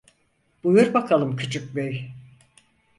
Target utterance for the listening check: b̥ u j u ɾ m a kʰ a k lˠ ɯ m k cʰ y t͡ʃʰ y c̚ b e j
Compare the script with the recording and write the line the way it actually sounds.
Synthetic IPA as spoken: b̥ u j u ɾ b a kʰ a lˠ ɯ m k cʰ y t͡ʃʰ y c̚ b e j